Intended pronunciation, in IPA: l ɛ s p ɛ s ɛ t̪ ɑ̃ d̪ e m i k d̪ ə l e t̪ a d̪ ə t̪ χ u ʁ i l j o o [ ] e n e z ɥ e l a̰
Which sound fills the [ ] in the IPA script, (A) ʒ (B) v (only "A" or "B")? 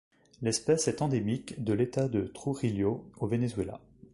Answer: B